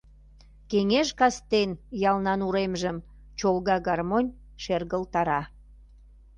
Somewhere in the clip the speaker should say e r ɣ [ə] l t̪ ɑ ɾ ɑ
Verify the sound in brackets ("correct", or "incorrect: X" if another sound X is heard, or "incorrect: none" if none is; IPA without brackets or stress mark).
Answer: correct